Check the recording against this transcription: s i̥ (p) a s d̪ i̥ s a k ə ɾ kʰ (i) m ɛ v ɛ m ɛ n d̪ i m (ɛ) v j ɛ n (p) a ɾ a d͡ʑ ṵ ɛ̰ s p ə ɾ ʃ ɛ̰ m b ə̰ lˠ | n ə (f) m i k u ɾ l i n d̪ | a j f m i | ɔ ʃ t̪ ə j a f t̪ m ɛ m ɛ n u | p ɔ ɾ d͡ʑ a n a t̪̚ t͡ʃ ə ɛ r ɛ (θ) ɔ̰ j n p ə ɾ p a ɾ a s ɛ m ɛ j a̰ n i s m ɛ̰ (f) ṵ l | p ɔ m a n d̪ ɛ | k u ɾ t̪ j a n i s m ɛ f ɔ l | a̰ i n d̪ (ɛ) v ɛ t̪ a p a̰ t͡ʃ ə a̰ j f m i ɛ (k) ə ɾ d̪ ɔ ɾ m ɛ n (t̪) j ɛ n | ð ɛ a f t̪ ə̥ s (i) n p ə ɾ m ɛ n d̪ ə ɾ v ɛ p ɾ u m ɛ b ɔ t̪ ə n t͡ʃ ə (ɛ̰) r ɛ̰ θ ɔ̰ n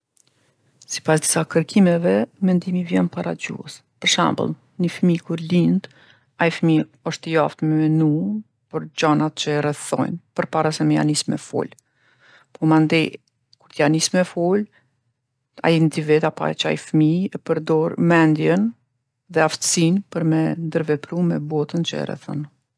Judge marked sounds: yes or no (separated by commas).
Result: yes, yes, no, yes, yes, yes, yes, no, no, no, yes, yes